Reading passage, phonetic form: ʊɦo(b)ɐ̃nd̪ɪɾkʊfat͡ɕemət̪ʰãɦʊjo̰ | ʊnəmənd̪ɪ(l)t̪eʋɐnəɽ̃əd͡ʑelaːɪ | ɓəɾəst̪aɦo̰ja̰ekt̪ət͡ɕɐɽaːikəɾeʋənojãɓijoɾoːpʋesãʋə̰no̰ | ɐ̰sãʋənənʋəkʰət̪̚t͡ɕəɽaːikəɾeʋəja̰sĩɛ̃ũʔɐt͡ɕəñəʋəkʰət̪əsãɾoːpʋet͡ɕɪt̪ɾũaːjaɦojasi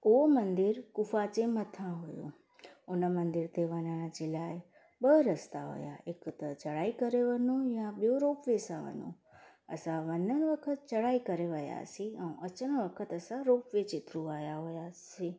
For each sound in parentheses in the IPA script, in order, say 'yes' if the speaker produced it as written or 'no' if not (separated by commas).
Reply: no, no